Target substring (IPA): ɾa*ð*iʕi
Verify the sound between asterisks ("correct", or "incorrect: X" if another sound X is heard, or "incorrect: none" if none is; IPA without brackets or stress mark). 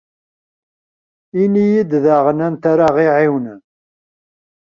incorrect: ʁ